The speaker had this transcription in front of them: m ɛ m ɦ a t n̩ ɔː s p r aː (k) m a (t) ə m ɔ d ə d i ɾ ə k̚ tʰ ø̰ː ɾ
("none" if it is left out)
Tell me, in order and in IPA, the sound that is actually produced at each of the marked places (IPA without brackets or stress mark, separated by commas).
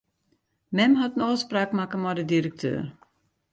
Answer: k, k